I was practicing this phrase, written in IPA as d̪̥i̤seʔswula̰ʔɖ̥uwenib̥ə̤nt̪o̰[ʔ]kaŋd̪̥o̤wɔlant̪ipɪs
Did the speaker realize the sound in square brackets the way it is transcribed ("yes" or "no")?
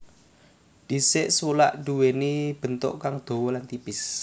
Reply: yes